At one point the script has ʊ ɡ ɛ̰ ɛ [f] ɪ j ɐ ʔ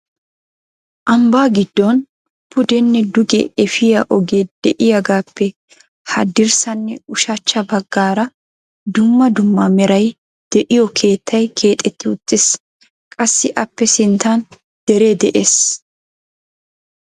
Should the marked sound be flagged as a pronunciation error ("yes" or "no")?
no